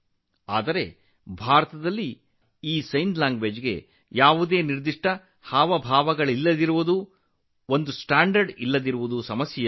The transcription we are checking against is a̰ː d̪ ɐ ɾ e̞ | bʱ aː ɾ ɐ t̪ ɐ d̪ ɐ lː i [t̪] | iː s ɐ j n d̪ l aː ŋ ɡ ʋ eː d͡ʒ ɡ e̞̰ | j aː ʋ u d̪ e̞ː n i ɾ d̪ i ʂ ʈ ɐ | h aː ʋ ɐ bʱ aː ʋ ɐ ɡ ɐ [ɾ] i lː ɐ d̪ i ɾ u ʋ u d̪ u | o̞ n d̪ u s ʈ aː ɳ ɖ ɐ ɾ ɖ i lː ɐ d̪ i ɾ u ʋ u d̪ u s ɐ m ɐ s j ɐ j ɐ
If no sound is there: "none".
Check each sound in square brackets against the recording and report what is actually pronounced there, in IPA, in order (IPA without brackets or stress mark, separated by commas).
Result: none, ɭ